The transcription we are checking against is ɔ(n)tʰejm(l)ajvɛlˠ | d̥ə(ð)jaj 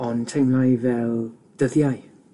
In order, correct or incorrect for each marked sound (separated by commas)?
correct, correct, correct